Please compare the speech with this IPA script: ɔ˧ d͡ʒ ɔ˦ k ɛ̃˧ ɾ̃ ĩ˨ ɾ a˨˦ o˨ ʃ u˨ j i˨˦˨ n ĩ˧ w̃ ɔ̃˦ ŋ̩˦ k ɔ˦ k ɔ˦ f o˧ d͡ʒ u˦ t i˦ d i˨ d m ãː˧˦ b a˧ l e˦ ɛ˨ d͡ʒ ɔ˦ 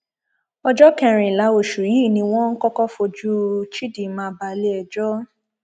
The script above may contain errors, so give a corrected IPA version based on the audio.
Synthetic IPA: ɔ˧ d͡ʒ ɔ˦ k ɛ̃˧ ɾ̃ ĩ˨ l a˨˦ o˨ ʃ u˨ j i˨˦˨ n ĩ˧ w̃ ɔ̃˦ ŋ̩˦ k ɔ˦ k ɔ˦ f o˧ d͡ʒ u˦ t͡ʃ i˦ d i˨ m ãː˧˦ b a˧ l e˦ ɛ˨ d͡ʒ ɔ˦